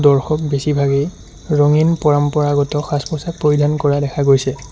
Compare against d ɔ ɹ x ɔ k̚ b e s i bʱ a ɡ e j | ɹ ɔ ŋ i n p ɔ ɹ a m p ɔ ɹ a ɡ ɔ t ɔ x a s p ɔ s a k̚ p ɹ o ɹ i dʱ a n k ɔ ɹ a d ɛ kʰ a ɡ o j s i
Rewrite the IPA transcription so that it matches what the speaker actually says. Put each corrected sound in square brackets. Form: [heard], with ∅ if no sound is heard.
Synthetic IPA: d ɔ ɹ x ɔ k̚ b e s i bʱ a ɡ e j | ɹ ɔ ŋ i n p ɔ ɹ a m p ɔ ɹ a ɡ ɔ t ɔ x a s p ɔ s a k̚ p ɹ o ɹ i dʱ a n k ɔ ɹ a d ɛ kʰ a ɡ o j s [ɛ]